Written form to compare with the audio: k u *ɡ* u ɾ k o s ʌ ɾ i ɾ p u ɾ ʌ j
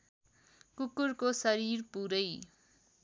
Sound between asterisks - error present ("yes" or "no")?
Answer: yes